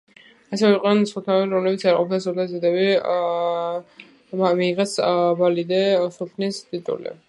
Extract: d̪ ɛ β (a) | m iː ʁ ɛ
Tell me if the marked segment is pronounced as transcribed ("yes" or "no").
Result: no